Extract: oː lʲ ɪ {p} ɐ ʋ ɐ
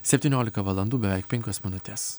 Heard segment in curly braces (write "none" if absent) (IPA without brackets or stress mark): k